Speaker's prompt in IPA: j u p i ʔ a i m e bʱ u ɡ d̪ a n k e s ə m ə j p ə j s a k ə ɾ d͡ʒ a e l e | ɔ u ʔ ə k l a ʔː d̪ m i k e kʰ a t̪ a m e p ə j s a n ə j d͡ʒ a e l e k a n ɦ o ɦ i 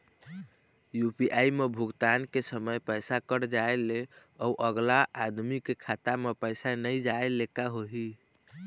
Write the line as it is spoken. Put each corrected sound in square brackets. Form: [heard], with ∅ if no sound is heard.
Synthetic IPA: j u p i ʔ a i m e bʱ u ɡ [t̪] a n k e s ə m ə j p ə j s a k ə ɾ d͡ʒ a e l e | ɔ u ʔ ə [ɡ] l a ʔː d̪ m i k e kʰ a t̪ a m e p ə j s a n ə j d͡ʒ a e l e k a [∅] ɦ o ɦ i